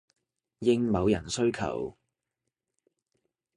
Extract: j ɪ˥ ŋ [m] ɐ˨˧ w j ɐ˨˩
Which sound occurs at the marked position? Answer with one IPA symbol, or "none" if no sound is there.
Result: m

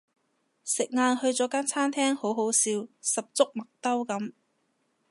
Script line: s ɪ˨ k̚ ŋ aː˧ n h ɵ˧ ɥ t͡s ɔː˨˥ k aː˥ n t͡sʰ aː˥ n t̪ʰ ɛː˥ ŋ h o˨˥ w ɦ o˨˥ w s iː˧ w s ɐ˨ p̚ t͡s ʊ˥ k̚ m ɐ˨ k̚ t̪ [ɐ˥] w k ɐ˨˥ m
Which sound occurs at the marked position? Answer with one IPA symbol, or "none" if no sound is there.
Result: ɐ˥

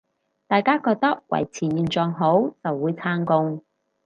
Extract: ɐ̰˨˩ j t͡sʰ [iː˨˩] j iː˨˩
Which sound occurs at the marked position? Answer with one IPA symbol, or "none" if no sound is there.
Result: iː˨˩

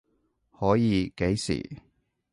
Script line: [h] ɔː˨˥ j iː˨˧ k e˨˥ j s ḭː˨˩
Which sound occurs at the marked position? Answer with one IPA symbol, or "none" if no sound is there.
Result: h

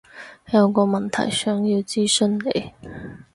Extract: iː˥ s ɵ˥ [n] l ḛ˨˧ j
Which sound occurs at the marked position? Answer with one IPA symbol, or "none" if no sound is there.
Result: n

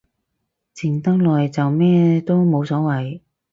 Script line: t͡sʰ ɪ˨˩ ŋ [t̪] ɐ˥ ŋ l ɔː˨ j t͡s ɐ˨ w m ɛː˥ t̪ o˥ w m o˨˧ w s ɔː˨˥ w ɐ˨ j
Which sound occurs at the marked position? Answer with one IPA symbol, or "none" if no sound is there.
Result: t̪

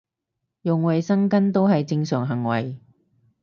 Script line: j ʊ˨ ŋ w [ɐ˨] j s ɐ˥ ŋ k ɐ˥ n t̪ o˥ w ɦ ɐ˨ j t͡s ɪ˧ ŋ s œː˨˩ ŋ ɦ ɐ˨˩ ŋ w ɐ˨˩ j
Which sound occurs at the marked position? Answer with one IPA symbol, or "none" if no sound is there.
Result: ɐ˨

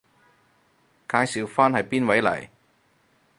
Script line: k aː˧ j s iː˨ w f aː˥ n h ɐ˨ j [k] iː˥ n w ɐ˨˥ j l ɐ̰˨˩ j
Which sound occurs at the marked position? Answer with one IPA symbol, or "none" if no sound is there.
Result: p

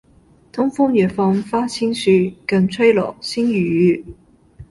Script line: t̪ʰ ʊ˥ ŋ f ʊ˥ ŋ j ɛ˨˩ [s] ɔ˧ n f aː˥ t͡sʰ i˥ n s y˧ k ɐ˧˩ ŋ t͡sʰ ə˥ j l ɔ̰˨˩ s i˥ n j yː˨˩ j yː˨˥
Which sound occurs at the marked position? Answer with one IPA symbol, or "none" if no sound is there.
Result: f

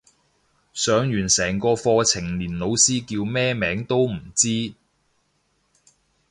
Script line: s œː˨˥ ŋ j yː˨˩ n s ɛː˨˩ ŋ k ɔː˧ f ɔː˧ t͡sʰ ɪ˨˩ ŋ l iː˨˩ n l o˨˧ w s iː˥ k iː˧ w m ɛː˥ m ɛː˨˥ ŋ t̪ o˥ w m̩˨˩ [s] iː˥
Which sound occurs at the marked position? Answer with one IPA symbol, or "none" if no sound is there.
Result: t͡s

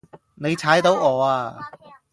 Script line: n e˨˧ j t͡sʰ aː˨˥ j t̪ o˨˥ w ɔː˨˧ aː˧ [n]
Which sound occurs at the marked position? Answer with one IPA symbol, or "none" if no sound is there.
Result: none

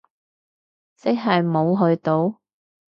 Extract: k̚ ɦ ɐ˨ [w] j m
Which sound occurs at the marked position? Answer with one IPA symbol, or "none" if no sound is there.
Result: none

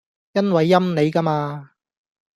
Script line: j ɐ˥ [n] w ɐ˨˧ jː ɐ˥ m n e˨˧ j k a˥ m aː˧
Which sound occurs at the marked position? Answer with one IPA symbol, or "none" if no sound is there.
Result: n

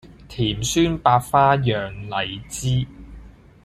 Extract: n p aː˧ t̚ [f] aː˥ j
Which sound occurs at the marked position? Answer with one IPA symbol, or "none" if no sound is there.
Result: f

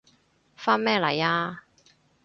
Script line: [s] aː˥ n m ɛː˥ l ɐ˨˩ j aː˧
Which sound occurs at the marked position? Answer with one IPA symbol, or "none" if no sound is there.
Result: f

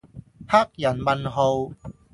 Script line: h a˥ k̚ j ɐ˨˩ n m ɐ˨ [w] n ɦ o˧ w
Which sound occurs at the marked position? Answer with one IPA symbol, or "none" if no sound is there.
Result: none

